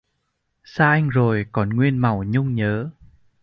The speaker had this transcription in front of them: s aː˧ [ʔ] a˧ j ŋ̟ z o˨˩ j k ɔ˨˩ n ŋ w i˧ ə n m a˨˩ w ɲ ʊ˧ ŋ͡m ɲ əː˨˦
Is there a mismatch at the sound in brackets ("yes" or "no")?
no